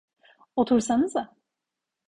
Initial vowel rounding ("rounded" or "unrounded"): rounded